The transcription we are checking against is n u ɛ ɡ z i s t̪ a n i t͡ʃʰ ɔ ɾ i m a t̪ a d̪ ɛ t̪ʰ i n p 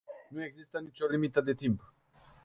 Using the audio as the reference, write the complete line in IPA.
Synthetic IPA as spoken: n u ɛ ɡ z i s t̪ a n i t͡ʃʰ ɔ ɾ i m i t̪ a d̪ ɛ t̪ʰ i m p